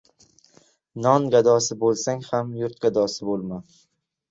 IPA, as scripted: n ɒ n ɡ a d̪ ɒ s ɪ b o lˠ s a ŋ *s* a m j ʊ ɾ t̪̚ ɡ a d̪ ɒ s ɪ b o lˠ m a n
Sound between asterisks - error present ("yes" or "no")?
yes